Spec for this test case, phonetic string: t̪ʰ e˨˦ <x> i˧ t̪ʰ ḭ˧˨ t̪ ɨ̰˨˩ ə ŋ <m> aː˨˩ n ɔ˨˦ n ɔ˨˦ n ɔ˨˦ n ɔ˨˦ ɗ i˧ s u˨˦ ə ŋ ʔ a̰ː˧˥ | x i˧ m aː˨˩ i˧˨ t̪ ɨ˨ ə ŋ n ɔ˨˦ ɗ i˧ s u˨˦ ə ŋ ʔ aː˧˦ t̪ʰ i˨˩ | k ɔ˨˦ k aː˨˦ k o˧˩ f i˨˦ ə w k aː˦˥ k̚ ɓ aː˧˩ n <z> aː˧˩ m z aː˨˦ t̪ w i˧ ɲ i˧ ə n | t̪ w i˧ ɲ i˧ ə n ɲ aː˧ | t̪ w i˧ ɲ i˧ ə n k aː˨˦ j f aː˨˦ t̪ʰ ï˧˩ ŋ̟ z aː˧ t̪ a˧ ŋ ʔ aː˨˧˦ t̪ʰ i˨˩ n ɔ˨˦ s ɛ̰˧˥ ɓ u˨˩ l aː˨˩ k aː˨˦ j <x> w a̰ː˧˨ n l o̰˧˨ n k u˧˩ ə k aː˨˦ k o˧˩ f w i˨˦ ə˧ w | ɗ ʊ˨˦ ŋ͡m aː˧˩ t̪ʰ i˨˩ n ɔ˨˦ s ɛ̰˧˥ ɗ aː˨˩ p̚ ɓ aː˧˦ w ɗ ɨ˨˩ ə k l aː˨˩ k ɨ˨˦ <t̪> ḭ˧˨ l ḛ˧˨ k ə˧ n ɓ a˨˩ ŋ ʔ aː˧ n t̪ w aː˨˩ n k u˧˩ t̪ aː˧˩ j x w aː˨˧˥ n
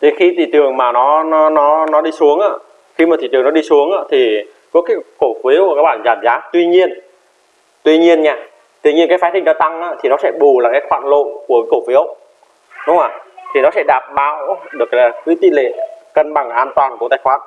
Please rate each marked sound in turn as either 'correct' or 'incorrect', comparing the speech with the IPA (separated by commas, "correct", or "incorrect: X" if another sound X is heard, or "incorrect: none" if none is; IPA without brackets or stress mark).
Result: correct, correct, correct, correct, correct